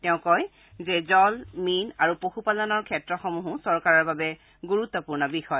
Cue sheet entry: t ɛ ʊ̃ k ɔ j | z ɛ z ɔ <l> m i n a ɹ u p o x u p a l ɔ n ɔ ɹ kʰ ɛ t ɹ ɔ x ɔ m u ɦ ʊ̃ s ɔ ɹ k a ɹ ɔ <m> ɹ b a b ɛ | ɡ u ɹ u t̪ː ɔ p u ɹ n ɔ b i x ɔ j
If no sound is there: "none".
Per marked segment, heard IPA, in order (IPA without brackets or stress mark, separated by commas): l, none